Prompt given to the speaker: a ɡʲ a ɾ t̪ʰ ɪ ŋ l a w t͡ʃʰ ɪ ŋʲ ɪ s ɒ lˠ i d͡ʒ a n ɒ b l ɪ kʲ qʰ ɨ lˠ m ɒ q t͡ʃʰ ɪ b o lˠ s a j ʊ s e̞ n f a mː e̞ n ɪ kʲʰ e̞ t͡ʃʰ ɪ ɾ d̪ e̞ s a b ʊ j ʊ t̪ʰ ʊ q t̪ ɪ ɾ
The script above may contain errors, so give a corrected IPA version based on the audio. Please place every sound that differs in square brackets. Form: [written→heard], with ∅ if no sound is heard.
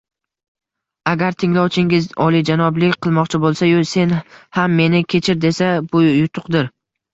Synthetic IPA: a ɡʲ a ɾ t̪ʰ ɪ ŋ l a w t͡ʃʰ ɪ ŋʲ ɪ [s→z] ɒ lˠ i d͡ʒ a n ɒ b l ɪ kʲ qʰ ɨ lˠ m ɒ q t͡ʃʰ ɪ b o lˠ s a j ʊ s e̞ n [f→h] a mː e̞ n ɪ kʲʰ e̞ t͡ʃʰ ɪ ɾ d̪ e̞ s a b ʊ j ʊ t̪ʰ ʊ q [t̪→d̪] ɪ ɾ